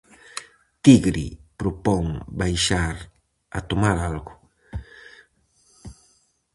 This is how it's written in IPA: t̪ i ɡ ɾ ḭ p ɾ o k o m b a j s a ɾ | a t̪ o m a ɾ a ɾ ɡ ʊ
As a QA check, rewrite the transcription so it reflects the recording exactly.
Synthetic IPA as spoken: t̪ i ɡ ɾ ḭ p ɾ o p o ŋ b a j ʃ a ɾ | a t̪ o m a ɾ a l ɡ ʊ